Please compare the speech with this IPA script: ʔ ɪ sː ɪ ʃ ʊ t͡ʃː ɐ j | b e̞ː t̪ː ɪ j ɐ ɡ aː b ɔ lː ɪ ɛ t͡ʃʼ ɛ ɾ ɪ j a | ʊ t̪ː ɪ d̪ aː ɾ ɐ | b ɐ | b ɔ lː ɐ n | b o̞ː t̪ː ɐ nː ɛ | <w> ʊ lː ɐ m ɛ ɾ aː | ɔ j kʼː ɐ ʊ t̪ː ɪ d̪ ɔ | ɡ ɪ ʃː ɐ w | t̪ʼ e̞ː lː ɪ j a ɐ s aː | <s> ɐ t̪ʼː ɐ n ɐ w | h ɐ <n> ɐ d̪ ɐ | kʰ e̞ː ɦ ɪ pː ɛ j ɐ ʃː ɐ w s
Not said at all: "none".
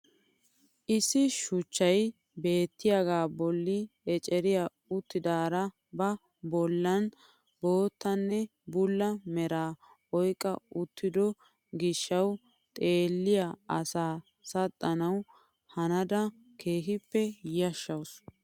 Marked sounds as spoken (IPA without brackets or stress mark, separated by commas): b, s, n